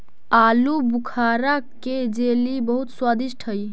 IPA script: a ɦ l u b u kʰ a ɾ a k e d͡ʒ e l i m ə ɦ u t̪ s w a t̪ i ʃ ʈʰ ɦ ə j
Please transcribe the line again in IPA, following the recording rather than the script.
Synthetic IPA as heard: a l u b u kʰ a ɾ a k e d͡ʒ e l i b ə ɦ u t̪ s w a d̪ i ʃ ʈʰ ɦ ə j